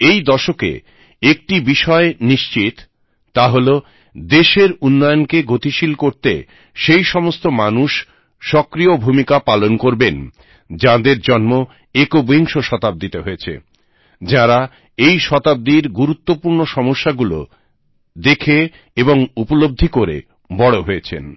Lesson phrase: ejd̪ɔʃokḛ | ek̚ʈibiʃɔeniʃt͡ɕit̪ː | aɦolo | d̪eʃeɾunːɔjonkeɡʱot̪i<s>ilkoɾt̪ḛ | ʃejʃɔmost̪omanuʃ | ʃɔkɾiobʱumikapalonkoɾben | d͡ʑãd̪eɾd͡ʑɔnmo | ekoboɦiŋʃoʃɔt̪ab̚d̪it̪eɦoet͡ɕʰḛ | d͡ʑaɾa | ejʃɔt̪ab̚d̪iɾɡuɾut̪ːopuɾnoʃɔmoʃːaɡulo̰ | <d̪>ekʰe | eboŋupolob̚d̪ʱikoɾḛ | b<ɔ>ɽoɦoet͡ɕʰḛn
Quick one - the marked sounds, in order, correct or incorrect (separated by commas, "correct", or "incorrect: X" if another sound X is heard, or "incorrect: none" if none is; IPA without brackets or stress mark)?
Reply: incorrect: ʃ, correct, correct